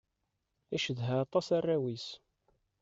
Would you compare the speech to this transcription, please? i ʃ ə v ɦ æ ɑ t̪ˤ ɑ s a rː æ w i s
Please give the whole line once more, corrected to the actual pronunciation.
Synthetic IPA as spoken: æ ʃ ə ð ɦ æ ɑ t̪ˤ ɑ s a rː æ w i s

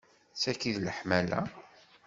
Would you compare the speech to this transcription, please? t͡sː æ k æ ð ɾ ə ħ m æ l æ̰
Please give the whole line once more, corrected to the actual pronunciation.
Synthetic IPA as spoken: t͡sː æ k i ð l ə ħ m æ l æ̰

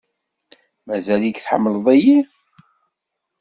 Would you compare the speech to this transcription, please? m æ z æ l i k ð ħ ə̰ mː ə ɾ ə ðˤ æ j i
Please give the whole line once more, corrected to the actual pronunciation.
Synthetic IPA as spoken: m æ z æ l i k θ ħ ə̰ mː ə l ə ðˤ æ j i

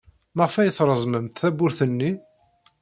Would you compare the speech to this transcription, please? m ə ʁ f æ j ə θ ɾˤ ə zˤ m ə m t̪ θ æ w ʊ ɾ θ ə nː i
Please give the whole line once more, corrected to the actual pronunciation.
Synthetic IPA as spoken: m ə ʁ f æ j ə θ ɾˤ ə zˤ m ə m t̪ θ æ b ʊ ɾ θ ə nː i

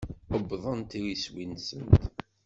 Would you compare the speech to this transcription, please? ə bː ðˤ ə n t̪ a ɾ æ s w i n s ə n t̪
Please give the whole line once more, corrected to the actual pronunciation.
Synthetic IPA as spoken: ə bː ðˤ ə n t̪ i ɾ i s w i n s ə n t̪

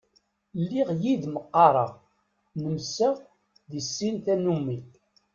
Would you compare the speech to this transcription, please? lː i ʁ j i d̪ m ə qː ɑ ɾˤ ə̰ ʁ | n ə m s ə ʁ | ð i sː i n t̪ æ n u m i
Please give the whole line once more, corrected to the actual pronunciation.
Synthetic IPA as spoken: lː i ʁ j i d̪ m ə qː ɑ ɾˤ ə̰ ʁ | n ə m s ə ʁ | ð i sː i n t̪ æ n u m i

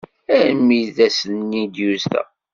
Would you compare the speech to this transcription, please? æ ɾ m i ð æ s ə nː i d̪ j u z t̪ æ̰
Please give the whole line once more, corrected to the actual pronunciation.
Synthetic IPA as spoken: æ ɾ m i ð æ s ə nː i d̪ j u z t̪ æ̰

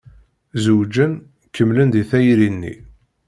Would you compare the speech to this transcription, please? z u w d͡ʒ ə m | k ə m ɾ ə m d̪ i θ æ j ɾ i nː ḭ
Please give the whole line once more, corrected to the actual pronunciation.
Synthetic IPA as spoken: z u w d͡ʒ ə n | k ə m l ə n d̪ i θ æ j ɾ i nː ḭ

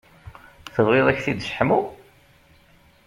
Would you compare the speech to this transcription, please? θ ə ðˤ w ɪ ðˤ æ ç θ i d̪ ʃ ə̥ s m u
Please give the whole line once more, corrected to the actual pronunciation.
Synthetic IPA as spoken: θ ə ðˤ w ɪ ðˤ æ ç θ i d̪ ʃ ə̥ ħ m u

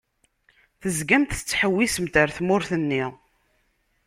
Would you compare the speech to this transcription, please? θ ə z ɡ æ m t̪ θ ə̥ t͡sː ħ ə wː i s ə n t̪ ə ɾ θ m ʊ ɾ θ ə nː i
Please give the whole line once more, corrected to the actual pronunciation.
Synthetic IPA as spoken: θ ə z ɡ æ m t̪ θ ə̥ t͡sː ħ ə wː i s ə m t̪ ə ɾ θ m ʊ ɾ θ ə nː i

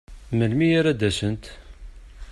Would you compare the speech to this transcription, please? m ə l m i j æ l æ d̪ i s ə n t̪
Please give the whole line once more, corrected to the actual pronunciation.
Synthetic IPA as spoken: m ə l m i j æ ɾ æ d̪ æ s ə n t̪

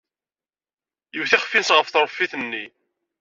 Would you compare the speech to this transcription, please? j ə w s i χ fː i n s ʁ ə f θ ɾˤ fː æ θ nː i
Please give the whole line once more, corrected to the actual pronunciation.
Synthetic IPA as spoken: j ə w θ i χ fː i n s ʁ ə f θ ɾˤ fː i θ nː i

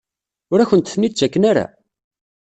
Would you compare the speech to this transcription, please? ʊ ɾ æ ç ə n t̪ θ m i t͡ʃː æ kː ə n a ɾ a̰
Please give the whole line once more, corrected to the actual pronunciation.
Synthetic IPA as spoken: ʊ ɾ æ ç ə n t̪ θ n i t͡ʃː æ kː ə n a ɾ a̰

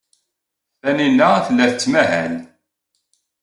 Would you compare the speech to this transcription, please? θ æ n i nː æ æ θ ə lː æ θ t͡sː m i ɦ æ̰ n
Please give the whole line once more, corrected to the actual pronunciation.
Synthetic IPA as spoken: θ æ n i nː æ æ θ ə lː æ θ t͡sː m æ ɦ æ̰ n

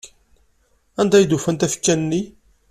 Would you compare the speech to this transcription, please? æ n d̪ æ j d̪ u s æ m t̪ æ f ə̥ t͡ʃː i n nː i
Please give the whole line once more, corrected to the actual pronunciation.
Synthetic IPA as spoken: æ n d̪ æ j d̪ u f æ n t̪ æ f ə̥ t͡ʃː æ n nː i

